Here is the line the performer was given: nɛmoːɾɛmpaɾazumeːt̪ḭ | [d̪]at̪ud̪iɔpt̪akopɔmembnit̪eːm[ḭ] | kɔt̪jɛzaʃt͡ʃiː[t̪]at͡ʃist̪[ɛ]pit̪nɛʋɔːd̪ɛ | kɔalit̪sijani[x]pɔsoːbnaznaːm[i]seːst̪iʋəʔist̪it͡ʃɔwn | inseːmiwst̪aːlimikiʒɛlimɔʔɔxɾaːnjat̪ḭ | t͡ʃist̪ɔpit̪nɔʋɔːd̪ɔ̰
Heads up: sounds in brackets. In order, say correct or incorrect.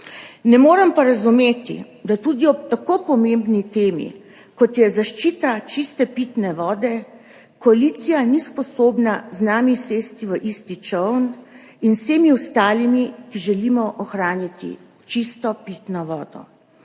correct, correct, correct, correct, incorrect: s, correct

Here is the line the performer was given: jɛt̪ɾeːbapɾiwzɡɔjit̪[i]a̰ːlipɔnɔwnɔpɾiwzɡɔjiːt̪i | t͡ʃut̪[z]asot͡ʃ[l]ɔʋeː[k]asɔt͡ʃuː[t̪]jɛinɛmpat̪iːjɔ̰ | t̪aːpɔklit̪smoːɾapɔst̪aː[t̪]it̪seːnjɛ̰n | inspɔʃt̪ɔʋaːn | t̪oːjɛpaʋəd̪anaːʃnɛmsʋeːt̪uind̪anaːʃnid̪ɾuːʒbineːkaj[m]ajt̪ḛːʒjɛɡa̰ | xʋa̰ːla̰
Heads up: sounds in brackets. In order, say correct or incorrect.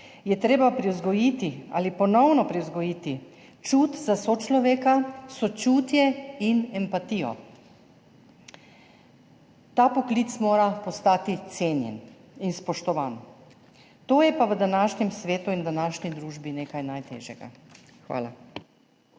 correct, correct, correct, correct, correct, correct, incorrect: n

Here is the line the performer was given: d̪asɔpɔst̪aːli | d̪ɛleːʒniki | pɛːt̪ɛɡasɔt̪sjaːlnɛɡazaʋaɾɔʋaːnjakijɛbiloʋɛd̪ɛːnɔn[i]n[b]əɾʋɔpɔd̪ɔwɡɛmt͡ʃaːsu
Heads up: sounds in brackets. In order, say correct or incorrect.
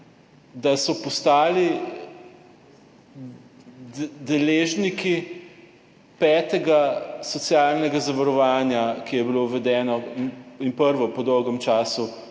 correct, incorrect: p

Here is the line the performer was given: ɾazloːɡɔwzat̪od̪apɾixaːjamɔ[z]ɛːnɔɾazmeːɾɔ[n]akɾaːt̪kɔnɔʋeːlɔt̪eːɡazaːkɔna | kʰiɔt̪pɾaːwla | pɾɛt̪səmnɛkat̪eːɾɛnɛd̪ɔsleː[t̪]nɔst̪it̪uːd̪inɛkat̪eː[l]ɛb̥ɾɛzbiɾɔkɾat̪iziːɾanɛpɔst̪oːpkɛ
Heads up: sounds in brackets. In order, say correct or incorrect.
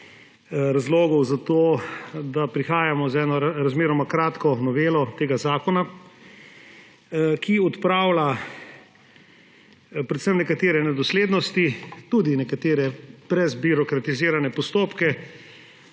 correct, incorrect: m, incorrect: d̪, incorrect: ɾ

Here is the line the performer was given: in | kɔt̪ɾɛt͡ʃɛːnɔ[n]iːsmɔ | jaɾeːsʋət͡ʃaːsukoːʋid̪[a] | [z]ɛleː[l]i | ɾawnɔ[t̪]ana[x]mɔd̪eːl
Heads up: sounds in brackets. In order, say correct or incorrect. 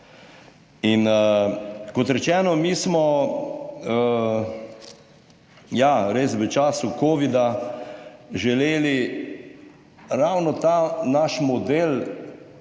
incorrect: m, correct, incorrect: ʒ, correct, correct, incorrect: ʃ

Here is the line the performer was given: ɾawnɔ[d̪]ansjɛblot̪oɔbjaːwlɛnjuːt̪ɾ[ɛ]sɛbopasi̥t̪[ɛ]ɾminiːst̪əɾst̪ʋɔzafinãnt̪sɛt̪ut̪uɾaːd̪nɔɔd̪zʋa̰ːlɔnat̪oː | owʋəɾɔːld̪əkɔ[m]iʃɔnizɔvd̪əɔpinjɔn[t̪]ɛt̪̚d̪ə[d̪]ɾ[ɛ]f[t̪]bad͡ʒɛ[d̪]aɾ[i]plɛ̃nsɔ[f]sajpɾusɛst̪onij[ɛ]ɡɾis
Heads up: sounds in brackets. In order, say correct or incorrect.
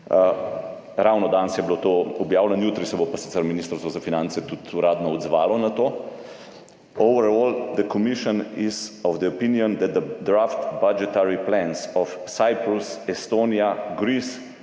correct, incorrect: i, correct, correct, incorrect: d̪, correct, incorrect: a, correct, incorrect: t̪, correct, correct, incorrect: a

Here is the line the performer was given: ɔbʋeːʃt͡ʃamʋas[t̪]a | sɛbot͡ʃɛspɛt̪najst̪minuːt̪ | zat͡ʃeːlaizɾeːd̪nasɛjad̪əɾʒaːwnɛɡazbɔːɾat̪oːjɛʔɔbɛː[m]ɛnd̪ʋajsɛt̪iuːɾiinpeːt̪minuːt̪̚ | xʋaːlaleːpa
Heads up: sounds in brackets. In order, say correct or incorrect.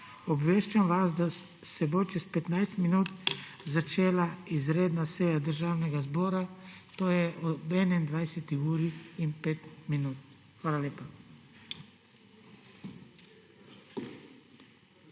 incorrect: d̪, incorrect: n

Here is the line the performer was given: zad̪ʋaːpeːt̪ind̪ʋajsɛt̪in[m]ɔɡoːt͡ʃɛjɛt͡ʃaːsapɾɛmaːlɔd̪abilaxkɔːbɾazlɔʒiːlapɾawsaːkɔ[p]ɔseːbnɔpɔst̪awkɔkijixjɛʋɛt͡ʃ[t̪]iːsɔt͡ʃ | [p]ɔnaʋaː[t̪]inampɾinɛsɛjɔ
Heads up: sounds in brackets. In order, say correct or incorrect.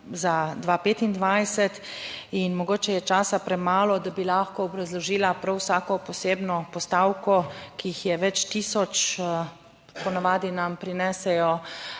correct, correct, correct, correct, incorrect: d̪

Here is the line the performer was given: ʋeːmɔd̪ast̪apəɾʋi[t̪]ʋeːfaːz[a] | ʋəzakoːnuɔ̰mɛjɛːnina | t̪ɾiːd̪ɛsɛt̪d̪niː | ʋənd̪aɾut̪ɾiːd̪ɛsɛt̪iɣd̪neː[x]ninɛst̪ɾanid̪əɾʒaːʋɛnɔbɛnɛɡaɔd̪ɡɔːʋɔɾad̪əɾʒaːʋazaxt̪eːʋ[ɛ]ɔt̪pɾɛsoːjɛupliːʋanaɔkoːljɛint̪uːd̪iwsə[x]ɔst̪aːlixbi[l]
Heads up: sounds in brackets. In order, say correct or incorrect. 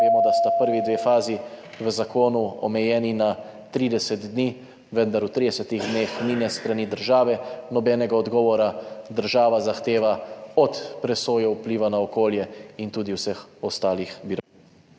incorrect: d̪, incorrect: i, correct, incorrect: a, correct, incorrect: ɾ

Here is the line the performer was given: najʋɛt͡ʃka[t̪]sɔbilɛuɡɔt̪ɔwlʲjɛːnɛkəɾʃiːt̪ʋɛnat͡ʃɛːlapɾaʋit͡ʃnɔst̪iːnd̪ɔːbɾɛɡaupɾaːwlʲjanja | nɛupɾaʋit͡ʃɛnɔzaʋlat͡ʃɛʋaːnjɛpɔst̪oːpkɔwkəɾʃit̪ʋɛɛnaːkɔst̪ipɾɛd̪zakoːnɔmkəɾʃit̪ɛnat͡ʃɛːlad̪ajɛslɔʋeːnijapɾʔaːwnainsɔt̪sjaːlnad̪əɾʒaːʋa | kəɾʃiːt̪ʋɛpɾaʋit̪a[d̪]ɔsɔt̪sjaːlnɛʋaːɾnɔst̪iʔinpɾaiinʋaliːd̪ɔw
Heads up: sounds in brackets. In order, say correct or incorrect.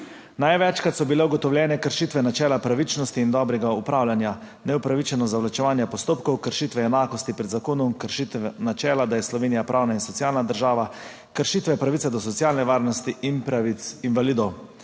correct, correct

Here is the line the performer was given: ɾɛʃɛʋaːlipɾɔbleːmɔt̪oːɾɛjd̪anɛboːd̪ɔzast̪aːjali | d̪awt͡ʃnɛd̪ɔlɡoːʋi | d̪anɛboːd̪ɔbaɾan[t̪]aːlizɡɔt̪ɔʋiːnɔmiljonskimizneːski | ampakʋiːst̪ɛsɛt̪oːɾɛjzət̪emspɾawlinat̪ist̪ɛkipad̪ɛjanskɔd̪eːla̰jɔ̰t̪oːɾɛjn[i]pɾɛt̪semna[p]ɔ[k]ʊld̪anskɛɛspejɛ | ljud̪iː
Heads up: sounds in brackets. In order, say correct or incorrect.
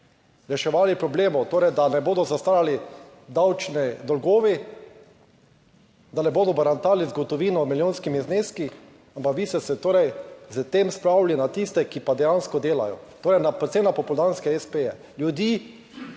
correct, incorrect: a, correct, incorrect: p

